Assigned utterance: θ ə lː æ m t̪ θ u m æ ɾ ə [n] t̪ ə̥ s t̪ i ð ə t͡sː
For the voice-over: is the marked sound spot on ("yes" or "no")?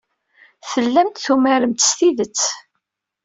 no